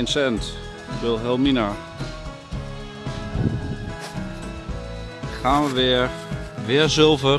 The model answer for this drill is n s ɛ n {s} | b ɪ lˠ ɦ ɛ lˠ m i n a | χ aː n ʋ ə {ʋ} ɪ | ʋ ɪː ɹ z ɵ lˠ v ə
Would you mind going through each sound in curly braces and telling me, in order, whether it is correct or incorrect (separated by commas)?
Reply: incorrect, correct